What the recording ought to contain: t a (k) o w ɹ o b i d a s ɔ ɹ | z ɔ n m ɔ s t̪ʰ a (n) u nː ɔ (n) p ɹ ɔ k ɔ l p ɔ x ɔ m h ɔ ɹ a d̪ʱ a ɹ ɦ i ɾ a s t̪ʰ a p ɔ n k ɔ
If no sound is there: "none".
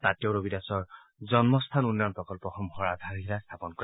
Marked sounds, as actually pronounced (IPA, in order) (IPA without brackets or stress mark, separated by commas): t, n, n